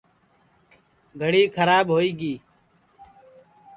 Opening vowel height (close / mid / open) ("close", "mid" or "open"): mid